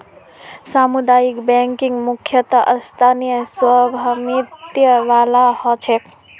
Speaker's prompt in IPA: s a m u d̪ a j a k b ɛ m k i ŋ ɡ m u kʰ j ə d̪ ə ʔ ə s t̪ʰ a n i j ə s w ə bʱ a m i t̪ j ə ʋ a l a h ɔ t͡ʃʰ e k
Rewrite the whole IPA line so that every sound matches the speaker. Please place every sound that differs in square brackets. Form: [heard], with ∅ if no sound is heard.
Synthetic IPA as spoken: s a m u d̪ a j [i] k b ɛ [ŋ] k i ŋ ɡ m u kʰ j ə [t̪] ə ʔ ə s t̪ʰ a n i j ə s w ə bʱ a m i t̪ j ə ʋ a l a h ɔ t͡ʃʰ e k